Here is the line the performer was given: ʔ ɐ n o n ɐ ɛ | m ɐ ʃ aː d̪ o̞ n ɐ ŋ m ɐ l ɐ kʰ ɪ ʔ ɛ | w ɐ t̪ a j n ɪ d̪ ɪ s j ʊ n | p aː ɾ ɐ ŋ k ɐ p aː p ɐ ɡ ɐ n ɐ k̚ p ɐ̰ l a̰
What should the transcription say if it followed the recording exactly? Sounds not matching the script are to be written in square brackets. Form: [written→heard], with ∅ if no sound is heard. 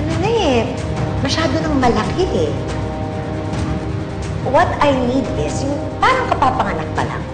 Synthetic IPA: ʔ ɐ n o n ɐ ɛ | m ɐ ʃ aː d̪ o̞ n ɐ ŋ m ɐ l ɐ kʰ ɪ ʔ ɛ | w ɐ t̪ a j n [ɪ→i] d̪ ɪ s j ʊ [n→ŋ] | p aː ɾ ɐ ŋ k ɐ p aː p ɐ [ɡ→ŋ] ɐ n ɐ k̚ p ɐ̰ l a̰